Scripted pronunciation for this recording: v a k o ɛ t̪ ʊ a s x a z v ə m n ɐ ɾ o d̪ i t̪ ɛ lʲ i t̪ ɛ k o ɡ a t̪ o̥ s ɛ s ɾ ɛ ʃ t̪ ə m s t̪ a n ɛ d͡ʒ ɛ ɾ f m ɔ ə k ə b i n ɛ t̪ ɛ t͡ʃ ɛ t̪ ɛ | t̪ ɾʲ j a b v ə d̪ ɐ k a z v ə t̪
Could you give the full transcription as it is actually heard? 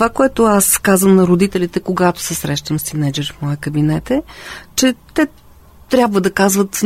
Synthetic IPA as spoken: v a k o ɛ t̪ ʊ a s k a z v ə m n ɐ ɾ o d̪ i t̪ ɛ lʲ i t̪ ɛ k o ɡ a t̪ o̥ s ɛ s ɾ ɛ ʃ t̪ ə m s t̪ i n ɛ d͡ʒ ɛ ɾ f m ɔ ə k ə b i n ɛ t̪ ɛ t͡ʃ ɛ t̪ ɛ | t̪ ɾʲ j a b v ə d̪ ɐ k a z v ə t̪